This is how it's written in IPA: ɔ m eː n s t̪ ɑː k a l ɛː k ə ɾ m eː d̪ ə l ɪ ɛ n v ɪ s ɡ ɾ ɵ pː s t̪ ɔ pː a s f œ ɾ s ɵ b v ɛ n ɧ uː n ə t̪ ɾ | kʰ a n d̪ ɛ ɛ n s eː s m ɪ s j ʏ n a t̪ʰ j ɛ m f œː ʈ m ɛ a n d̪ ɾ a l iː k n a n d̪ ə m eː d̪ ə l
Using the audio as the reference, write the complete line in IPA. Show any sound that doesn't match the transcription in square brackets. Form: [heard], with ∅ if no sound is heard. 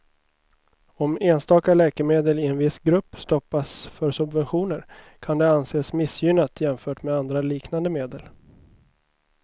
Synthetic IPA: ɔ m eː n s t̪ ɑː k a l ɛː k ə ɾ m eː d̪ ə l ɪ ɛ n v ɪ s ɡ ɾ ɵ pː s t̪ ɔ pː a s f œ ɾ s ɵ b v ɛ n ɧ uː n ə [∅] ɾ | kʰ a n d̪ ɛ [a] n s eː s m ɪ s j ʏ n a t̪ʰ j ɛ m f œː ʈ m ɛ a n d̪ ɾ a l iː k n a n d̪ ə m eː d̪ ə l